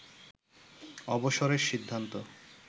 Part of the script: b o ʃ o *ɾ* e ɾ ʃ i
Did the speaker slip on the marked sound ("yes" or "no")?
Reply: no